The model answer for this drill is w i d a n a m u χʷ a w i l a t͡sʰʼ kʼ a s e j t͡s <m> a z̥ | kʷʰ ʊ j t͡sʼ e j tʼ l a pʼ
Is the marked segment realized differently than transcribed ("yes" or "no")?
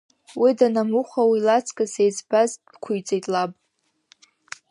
yes